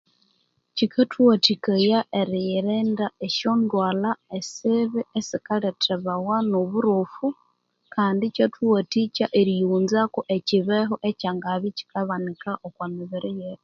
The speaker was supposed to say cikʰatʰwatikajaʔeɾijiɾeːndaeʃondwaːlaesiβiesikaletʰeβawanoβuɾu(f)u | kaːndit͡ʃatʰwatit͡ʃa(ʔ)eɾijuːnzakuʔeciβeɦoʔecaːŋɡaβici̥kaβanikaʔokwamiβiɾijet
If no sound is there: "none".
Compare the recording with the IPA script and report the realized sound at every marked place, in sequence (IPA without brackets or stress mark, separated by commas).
f, ʔ